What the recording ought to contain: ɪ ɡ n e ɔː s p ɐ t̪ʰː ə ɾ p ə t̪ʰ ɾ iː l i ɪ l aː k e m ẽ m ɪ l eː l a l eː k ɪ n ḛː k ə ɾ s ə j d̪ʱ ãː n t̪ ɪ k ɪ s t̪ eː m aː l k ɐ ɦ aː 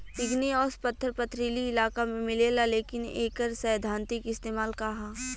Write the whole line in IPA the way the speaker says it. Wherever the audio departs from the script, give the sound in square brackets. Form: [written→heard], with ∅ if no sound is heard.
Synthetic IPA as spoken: ɪ ɡ n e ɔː s p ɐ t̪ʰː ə ɾ p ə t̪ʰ ɾ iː l i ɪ l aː k [e→a] m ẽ m ɪ l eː l a l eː k ɪ n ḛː k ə ɾ s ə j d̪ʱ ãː n t̪ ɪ k ɪ s t̪ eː m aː l k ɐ ɦ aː